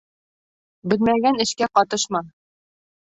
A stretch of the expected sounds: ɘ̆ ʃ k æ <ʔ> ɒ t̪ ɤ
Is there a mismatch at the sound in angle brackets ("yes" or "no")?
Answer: yes